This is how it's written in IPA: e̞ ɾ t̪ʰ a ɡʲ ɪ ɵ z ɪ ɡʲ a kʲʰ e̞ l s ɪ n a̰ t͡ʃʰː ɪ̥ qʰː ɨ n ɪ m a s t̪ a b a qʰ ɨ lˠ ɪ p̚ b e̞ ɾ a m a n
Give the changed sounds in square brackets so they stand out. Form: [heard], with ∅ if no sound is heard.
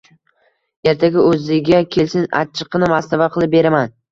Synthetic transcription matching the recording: e̞ ɾ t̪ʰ a ɡʲ ɪ ɵ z ɪ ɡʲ a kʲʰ e̞ l s ɪ n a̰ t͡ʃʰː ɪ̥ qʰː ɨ n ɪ m a s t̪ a [v] a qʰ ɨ lˠ ɪ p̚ b e̞ ɾ a m a n